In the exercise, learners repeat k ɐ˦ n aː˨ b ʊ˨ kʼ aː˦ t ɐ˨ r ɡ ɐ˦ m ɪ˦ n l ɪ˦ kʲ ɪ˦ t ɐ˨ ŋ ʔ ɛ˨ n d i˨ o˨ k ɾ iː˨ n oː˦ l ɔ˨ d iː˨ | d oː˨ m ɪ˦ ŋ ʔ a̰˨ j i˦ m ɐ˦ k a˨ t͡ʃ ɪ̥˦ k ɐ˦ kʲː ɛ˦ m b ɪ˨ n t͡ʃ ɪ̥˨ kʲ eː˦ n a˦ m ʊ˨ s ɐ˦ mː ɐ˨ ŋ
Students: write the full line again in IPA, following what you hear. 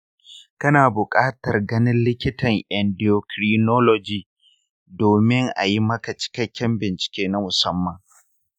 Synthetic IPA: k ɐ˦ n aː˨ b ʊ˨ kʼ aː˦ t ɐ˨ r ɡ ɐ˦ n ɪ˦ n l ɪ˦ kʲ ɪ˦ t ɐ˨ ŋ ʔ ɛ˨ n d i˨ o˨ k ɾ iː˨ n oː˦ l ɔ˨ d͡ʒ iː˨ | d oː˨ m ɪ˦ ŋ ʔ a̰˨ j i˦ m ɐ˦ k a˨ t͡ʃ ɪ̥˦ k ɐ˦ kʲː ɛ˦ m b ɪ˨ n t͡ʃ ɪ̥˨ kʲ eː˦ n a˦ m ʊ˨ s ɐ˦ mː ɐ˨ ŋ